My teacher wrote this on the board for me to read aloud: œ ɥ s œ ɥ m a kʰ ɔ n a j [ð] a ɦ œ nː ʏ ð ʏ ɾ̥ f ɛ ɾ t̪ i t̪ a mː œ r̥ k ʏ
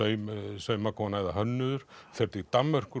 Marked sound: correct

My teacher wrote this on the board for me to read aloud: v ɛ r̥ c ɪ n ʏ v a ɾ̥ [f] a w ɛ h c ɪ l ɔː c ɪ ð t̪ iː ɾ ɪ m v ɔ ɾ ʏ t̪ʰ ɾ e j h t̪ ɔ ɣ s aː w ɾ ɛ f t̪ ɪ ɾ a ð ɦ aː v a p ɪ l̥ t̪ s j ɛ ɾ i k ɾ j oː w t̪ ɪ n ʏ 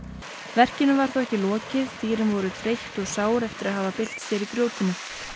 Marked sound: incorrect: θ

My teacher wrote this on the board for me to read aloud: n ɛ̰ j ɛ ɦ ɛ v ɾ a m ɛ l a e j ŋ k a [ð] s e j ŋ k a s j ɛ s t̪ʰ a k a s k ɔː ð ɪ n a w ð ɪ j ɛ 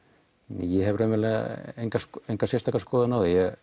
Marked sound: incorrect: none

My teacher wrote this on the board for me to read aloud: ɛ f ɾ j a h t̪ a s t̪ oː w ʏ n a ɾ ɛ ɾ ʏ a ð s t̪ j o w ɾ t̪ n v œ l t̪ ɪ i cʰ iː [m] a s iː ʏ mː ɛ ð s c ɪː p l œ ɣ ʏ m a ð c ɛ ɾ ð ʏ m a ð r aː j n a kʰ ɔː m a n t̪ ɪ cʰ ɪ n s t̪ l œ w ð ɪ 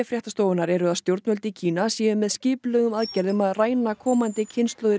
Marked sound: incorrect: n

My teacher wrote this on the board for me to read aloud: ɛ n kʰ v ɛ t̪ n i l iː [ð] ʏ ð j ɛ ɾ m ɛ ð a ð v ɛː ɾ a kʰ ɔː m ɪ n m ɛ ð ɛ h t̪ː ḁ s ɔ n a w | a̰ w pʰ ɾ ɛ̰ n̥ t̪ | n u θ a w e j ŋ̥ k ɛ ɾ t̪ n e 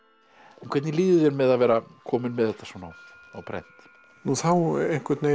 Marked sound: correct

